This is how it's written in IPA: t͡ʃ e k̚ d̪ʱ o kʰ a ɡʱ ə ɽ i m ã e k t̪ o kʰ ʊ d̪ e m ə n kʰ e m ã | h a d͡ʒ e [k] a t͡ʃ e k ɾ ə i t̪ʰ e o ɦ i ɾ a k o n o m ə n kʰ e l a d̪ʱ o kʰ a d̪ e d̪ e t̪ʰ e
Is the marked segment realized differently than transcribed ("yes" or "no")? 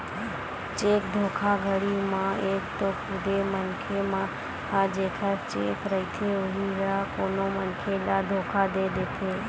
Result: yes